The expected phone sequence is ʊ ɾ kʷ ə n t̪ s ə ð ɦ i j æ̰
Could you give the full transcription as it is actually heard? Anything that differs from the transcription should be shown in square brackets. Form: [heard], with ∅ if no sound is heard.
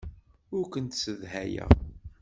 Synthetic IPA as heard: ʊ ɾ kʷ ə n t̪ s ə ð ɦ [æ] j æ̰